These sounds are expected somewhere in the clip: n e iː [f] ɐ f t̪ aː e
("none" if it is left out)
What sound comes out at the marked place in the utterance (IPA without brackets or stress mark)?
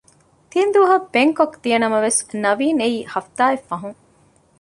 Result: h